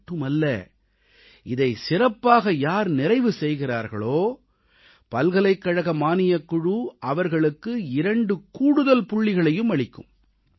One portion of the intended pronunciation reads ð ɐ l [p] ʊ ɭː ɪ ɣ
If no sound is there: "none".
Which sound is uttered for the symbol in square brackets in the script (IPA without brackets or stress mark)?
p